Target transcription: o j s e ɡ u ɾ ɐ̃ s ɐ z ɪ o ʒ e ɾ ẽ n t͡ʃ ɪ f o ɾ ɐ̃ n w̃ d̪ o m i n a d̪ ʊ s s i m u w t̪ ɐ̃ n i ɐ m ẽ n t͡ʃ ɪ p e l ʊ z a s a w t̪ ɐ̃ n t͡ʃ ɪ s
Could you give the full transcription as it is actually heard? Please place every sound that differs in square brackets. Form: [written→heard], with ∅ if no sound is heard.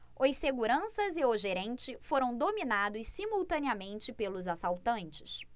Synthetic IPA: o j s e ɡ u ɾ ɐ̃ s ɐ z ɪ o ʒ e ɾ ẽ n t͡ʃ ɪ f o ɾ ɐ̃ [n→∅] w̃ d̪ o m i n a d̪ ʊ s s i m u w t̪ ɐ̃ n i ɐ m ẽ n t͡ʃ ɪ p e l ʊ z a s a w t̪ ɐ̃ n t͡ʃ ɪ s